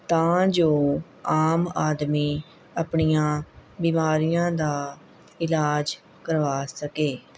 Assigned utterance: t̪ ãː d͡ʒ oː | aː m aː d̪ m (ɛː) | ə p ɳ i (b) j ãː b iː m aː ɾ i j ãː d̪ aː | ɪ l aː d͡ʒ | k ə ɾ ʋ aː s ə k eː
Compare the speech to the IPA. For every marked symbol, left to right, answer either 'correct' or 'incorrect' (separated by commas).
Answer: incorrect, incorrect